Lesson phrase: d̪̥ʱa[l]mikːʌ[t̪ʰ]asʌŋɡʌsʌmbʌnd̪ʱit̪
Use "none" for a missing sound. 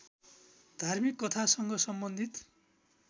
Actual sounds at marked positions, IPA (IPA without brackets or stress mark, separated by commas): r, t̪ʰ